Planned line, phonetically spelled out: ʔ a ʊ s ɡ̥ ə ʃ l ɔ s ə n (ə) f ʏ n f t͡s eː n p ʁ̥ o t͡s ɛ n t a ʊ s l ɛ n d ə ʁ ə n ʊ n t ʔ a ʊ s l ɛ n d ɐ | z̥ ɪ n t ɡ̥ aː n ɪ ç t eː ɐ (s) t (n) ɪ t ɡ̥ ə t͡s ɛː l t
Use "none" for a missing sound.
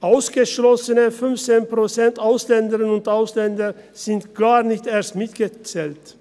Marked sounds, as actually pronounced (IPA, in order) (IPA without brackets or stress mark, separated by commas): ə, s, m